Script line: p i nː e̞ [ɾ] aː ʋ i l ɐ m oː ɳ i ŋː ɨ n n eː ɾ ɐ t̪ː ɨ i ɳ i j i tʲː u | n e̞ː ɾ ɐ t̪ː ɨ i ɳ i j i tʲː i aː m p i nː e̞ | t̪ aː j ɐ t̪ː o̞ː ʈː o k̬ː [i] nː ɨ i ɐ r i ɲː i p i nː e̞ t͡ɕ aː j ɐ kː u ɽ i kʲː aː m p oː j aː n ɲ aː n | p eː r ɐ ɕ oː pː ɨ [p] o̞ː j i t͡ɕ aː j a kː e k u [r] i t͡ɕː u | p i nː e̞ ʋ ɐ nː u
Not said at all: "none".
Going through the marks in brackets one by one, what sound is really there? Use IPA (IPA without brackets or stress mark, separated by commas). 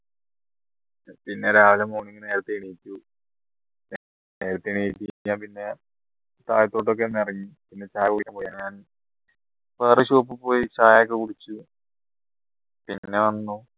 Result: ɾ, e, p, ɽ